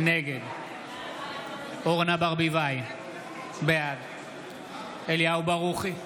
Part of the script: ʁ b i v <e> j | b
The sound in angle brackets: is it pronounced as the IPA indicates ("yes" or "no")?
no